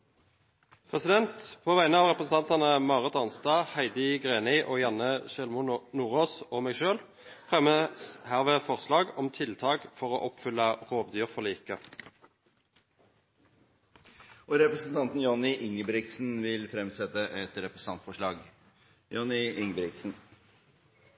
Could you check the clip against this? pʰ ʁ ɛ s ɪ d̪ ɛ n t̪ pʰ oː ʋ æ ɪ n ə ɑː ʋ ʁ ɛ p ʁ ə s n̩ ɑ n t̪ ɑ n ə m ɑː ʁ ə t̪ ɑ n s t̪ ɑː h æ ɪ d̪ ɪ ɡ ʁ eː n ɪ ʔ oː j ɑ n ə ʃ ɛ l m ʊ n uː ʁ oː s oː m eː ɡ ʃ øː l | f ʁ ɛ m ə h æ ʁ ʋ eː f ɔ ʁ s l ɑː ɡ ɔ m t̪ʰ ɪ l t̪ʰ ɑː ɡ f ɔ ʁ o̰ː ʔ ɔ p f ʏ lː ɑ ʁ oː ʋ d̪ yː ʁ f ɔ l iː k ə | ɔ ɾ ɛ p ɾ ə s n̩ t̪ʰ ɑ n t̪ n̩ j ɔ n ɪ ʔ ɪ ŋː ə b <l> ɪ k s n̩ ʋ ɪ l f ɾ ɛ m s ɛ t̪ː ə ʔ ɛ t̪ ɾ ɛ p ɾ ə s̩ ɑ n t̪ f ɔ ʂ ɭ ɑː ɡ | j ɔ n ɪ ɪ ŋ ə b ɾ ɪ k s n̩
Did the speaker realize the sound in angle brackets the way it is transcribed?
no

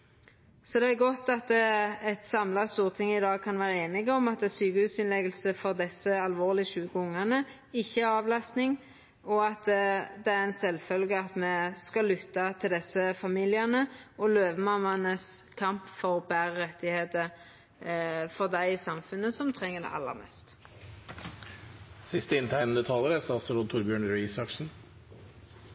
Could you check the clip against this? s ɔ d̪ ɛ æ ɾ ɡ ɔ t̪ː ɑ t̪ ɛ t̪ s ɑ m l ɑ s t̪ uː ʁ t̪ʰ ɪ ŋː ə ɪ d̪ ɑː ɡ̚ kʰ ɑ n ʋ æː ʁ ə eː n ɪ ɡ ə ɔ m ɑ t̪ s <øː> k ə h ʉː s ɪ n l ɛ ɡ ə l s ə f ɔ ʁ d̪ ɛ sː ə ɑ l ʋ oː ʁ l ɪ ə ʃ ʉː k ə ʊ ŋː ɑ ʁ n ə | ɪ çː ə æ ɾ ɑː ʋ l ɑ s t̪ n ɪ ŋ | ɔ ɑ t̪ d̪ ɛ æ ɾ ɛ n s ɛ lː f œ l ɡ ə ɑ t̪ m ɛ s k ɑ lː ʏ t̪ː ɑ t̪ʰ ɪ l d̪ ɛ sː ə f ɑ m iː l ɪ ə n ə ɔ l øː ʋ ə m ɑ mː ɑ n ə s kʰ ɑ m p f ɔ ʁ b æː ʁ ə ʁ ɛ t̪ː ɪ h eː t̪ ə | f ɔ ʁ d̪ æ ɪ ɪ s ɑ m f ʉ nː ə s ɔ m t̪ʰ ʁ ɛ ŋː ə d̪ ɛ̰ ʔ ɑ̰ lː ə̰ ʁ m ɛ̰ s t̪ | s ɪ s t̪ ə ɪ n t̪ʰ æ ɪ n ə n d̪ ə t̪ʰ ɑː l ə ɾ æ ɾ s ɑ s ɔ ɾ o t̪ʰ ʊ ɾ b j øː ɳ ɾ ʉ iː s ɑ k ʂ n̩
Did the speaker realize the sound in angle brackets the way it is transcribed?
no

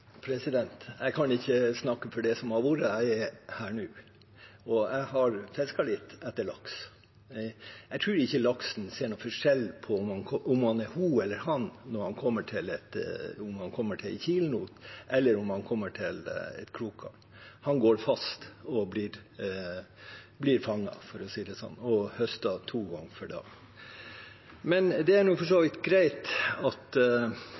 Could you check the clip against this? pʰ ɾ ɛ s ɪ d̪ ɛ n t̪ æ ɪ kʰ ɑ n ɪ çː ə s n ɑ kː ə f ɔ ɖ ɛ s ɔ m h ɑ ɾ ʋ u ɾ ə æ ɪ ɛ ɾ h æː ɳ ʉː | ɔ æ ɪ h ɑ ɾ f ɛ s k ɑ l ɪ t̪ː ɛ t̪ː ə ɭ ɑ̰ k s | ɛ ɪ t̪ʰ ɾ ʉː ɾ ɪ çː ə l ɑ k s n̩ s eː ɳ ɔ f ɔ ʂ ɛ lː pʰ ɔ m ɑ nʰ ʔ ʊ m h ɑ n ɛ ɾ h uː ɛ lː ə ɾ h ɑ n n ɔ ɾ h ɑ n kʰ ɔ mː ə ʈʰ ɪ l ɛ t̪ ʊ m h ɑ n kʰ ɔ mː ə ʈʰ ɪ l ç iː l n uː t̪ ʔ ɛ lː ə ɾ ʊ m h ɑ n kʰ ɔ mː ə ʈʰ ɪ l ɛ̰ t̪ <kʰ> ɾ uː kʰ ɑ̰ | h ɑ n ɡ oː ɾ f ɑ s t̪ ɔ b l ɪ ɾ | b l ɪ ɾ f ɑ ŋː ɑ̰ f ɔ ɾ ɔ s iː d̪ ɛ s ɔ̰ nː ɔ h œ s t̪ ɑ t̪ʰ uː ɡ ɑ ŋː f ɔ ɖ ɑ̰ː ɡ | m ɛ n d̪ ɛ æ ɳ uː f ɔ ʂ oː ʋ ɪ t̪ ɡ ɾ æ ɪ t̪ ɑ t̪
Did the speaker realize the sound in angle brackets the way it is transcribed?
yes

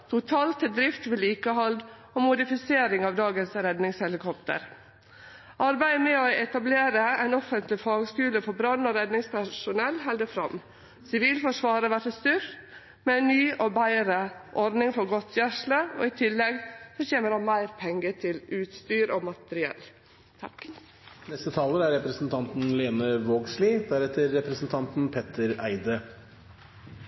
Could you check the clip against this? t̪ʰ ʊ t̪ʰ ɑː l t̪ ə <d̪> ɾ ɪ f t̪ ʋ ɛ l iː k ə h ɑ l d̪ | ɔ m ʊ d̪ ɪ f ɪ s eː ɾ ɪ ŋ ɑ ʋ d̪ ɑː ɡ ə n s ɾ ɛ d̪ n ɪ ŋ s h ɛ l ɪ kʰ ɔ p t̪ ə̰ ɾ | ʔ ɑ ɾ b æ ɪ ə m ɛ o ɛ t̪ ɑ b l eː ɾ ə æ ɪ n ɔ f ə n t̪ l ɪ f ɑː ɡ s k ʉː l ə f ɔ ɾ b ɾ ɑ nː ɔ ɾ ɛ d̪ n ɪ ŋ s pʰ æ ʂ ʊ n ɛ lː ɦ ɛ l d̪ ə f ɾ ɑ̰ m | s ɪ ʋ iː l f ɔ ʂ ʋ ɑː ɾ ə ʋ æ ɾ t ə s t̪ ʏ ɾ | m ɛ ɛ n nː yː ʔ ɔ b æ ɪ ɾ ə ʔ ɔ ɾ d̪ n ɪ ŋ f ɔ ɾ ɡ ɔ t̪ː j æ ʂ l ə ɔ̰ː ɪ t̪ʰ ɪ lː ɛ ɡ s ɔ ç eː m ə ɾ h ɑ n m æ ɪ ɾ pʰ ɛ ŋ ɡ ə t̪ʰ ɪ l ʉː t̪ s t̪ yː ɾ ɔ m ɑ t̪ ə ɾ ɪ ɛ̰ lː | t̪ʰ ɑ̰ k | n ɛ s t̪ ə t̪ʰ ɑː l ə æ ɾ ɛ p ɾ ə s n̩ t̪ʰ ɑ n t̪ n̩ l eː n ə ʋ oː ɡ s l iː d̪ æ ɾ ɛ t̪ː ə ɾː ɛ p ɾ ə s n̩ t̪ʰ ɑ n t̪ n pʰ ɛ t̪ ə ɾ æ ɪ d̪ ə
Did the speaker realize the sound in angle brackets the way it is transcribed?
yes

